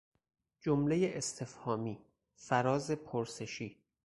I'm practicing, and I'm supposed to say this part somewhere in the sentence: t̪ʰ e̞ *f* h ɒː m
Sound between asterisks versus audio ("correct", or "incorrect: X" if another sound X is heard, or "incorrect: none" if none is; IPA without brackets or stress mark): correct